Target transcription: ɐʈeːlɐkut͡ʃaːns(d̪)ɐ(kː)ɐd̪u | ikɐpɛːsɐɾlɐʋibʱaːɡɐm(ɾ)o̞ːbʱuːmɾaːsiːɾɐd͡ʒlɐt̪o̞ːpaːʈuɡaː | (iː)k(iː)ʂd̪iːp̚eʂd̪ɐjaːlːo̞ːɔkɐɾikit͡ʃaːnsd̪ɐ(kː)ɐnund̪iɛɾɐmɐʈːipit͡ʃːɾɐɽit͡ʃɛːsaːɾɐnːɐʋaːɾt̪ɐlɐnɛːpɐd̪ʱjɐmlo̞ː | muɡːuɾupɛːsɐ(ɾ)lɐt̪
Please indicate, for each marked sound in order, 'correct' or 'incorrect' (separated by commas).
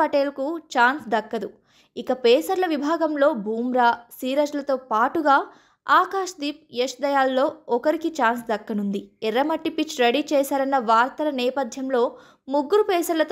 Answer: correct, correct, incorrect, incorrect, incorrect, correct, correct